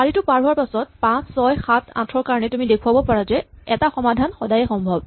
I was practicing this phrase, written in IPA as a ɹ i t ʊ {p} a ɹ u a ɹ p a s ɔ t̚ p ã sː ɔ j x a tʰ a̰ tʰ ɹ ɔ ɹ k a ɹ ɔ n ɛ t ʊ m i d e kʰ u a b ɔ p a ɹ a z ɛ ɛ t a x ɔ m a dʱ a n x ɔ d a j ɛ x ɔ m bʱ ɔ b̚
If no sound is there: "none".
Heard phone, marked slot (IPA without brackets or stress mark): p